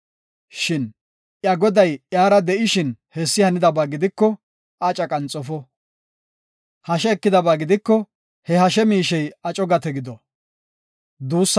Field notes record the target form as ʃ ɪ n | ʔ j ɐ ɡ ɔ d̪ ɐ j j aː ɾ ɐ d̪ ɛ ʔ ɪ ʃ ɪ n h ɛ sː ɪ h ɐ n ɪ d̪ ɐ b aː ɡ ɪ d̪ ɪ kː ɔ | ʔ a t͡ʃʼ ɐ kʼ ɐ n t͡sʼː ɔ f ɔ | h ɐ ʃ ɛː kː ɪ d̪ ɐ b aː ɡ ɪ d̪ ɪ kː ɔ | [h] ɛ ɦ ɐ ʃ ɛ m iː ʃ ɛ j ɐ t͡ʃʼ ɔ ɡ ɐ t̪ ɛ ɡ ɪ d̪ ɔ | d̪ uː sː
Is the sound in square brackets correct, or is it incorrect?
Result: correct